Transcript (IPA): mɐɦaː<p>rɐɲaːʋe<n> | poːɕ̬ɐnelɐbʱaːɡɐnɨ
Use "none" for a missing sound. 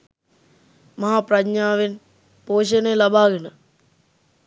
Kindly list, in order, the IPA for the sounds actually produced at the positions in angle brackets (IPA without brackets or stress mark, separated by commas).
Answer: p, n